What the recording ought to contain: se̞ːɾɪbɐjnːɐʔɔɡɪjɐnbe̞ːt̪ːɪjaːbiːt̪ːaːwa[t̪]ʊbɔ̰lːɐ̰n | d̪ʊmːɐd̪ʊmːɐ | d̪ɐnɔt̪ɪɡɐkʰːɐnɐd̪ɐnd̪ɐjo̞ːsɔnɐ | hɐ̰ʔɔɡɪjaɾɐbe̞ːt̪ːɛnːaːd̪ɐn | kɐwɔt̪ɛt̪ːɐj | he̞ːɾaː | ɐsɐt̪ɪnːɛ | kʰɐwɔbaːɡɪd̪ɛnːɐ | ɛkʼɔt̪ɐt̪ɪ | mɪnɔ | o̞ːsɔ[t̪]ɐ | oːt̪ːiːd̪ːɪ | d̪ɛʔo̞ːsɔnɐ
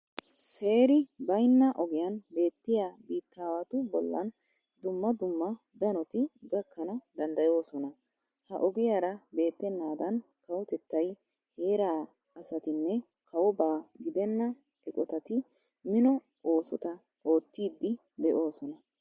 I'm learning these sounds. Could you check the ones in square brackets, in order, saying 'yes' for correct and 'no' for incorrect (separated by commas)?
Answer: yes, yes